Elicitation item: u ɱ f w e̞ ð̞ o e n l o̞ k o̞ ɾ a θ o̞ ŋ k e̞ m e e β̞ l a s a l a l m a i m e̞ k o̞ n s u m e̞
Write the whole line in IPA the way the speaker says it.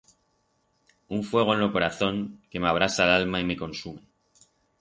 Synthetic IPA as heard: u ɱ f w e̞ ɣ̞ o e n l o̞ k o̞ ɾ a θ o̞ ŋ k e̞ m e a β̞ ɾ a s a l a l m a i m e̞ k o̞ n s u m e̞